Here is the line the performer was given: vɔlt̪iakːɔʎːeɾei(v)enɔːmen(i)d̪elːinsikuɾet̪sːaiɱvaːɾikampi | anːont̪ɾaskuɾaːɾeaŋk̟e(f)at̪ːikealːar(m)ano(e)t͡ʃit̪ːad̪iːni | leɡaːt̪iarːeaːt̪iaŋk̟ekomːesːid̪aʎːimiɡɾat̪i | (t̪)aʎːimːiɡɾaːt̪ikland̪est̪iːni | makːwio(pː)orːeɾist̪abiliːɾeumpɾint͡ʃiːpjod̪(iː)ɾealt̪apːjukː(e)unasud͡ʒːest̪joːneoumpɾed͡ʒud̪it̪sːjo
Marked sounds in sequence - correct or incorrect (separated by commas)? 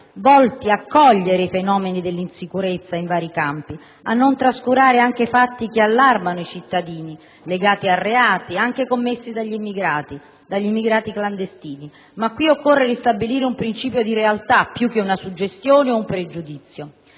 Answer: incorrect, correct, correct, correct, incorrect, incorrect, incorrect, incorrect, correct